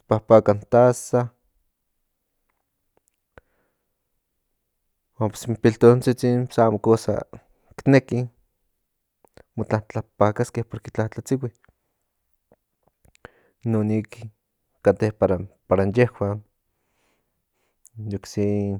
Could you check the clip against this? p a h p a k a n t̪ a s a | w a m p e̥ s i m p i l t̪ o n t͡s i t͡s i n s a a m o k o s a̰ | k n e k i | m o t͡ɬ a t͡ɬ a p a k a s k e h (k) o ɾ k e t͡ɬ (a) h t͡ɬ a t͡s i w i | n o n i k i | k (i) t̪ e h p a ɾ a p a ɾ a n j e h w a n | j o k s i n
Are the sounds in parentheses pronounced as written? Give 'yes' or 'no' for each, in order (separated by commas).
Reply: no, yes, no